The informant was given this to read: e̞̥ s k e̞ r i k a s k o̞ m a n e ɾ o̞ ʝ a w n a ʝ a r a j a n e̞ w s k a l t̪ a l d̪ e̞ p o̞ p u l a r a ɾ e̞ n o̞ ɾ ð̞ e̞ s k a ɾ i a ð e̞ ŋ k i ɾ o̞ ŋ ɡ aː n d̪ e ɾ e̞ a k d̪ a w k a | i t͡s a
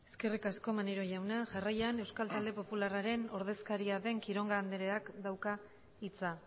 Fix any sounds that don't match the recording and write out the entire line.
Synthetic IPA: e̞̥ s k e̞ r i k a s k o̞ m a n e ɾ o̞ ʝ a w n a ʝ a r a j a n e̞ w s k a l t̪ a l d̪ e̞ p o̞ p u l a r a ɾ e̞ n o̞ ɾ ð̞ e̞ s k a ɾ i a ð e̞ ŋ k i ɾ o̞ ŋ ɡ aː n d̪ e ɾ e̞ a k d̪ a w k a | i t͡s a